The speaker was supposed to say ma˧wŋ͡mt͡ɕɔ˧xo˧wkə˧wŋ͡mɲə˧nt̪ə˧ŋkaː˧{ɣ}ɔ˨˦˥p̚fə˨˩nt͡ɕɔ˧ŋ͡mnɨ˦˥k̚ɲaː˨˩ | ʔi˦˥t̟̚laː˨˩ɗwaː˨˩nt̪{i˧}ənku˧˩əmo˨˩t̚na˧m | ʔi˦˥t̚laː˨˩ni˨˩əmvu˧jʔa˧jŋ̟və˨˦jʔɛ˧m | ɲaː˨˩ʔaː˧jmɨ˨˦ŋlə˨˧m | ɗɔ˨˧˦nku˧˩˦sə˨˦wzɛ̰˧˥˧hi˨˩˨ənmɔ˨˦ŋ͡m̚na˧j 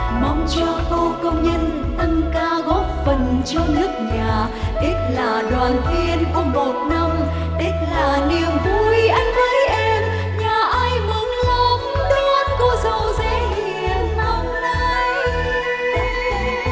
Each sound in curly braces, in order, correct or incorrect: correct, correct

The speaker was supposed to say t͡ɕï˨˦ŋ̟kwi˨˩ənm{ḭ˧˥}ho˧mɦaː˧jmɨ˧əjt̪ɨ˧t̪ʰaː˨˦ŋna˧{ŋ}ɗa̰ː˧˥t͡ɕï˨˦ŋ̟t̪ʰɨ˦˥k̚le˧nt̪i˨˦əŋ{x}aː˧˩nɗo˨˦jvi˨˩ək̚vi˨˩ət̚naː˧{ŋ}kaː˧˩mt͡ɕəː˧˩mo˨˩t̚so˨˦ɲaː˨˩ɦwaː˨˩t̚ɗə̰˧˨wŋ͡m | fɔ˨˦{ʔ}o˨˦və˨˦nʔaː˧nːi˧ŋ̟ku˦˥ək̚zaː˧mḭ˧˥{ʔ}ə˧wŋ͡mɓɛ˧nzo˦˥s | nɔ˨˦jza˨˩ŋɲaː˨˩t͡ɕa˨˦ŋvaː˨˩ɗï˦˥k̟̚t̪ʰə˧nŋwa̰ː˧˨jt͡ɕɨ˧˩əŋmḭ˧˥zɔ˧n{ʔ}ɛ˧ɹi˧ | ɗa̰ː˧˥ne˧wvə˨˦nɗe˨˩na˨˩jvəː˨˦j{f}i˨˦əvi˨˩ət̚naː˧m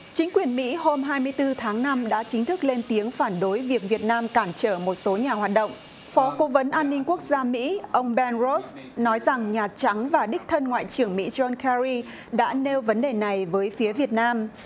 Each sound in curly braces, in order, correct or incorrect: correct, incorrect: m, incorrect: f, incorrect: m, incorrect: k, correct, incorrect: k, correct

